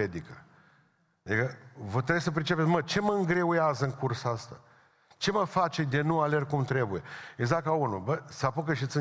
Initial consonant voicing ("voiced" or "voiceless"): voiced